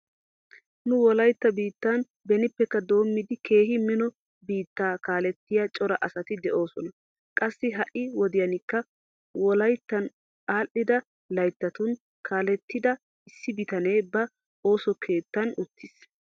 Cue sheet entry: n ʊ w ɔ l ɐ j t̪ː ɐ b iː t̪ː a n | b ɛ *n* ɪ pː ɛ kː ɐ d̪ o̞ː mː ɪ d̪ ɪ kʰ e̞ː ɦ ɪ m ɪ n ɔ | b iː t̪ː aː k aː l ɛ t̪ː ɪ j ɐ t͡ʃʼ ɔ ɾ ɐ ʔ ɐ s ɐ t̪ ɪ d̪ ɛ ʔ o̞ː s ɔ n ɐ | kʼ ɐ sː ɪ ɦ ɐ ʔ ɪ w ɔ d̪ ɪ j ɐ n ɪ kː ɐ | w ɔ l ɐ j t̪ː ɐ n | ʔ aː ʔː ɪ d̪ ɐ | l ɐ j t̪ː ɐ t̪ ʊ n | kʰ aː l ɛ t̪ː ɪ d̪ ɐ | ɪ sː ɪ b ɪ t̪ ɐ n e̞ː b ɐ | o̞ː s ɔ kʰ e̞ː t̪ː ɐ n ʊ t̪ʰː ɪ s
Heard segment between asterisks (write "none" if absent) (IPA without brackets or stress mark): n